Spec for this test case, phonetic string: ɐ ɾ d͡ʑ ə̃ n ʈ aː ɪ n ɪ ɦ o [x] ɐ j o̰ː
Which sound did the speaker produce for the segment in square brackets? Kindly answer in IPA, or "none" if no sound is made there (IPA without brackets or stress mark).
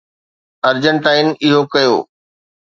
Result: k